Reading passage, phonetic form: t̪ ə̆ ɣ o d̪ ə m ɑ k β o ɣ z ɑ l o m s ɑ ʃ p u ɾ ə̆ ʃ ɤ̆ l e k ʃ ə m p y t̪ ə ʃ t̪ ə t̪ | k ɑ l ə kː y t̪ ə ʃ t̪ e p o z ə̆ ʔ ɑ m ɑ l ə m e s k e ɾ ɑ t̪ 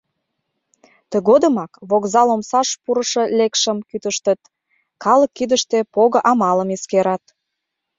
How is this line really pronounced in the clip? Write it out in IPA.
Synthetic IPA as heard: t̪ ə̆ ɣ o d̪ ə m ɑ k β o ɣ z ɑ l o m s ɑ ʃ p u ɾ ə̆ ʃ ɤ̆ l e k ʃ ə m k y t̪ ə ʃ t̪ ə t̪ | k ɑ l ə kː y d̪ ə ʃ t̪ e p o ɣ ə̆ ʔ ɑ m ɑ l ə m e s k e ɾ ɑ t̪